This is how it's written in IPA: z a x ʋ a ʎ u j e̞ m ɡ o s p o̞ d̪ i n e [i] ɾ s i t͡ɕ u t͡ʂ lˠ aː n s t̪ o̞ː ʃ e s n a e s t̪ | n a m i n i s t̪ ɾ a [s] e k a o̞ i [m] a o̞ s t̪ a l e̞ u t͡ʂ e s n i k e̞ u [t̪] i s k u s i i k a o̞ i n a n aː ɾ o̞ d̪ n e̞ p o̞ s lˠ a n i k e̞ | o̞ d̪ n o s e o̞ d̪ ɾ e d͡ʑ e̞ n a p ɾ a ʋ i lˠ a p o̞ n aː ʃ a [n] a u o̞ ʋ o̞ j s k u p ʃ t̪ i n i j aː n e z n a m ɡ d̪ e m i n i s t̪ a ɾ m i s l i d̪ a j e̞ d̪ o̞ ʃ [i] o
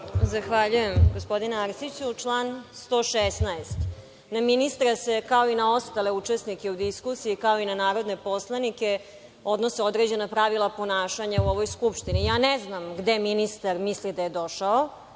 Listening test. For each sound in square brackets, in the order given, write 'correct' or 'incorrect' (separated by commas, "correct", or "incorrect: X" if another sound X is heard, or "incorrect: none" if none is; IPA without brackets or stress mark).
incorrect: a, correct, incorrect: n, incorrect: d̪, incorrect: ɲ, incorrect: a